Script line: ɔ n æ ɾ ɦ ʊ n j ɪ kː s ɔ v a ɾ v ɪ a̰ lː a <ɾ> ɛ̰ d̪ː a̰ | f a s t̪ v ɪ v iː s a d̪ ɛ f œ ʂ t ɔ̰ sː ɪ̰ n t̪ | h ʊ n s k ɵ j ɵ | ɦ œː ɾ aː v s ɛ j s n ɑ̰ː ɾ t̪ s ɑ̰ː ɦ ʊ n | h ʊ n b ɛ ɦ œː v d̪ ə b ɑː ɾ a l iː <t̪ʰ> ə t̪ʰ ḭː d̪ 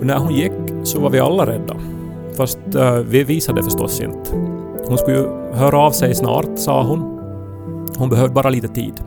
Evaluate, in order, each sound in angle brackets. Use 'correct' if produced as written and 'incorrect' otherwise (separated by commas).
correct, incorrect